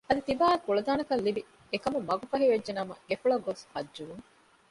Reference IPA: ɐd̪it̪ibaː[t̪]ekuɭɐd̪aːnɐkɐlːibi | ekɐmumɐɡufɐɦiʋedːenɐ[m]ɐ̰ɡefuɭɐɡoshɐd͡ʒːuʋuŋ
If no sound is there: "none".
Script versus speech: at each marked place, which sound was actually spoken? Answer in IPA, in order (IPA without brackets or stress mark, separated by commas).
none, m